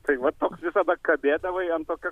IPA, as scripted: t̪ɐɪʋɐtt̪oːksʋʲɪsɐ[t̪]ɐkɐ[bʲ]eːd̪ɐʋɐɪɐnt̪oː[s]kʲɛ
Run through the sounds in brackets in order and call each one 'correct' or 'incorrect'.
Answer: incorrect: d̪, correct, incorrect: none

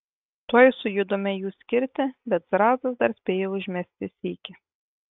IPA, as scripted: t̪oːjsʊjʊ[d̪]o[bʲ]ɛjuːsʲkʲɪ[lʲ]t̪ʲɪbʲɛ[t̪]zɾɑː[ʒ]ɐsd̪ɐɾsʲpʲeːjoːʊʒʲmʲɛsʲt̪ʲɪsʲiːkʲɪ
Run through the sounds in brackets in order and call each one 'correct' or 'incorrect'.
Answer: correct, incorrect: mʲ, incorrect: ɾʲ, correct, incorrect: z

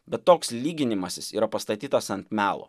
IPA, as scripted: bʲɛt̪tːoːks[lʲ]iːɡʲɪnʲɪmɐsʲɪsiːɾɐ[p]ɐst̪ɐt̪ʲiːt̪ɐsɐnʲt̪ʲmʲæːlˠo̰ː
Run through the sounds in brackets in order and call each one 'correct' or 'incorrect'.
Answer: correct, correct

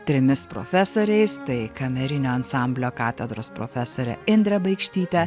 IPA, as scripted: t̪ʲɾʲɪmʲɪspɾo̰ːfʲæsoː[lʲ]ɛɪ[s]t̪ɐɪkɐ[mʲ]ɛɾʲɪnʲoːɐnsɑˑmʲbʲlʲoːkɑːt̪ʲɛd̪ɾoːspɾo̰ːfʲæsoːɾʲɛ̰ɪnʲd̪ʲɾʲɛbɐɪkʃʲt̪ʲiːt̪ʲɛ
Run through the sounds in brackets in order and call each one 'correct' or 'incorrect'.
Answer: incorrect: ɾʲ, correct, correct

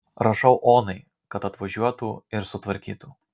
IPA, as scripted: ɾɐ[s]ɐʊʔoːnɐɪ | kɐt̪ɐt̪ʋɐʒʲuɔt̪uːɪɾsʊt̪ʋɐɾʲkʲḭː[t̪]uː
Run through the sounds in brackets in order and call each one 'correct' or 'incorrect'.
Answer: incorrect: ʃ, correct

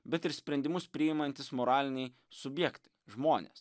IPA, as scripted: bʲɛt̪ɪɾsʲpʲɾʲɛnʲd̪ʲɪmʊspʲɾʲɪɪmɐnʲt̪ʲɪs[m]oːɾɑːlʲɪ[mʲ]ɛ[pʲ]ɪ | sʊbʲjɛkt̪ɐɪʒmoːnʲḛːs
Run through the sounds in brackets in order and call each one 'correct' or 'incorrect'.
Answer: correct, incorrect: nʲ, incorrect: none

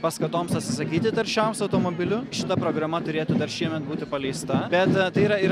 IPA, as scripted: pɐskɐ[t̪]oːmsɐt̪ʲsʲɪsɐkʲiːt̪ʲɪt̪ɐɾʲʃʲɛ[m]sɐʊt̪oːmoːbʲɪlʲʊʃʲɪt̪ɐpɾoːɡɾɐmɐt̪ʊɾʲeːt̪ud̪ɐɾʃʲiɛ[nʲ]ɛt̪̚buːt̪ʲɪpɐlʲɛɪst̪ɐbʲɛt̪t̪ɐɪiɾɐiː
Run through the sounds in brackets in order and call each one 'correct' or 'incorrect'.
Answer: correct, correct, incorrect: mʲ

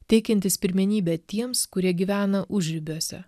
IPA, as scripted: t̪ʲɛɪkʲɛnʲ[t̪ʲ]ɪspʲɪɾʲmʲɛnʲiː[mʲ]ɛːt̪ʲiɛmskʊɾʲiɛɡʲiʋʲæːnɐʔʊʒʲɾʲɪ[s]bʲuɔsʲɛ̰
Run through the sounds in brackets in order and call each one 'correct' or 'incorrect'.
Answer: correct, incorrect: bʲ, incorrect: none

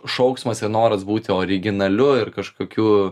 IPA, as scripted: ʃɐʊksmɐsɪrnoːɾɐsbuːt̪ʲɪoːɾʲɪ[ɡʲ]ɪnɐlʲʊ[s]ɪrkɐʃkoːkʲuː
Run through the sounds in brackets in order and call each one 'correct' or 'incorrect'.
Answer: correct, incorrect: none

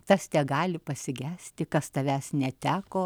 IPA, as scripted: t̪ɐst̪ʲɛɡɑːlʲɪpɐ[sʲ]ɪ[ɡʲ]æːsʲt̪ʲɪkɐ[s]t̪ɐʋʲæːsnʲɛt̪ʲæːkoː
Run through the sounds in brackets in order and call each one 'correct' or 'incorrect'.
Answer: correct, correct, correct

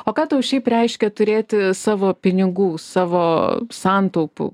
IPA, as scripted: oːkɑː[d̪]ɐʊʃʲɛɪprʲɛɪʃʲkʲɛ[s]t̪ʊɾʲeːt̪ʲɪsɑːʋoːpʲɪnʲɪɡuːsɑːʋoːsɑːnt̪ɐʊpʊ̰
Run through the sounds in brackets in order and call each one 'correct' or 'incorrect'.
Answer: incorrect: t̪, incorrect: none

